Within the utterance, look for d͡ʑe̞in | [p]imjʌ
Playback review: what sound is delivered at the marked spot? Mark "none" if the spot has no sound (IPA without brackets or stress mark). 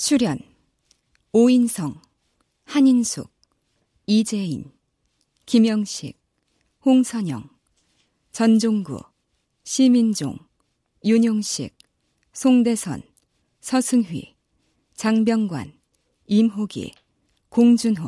k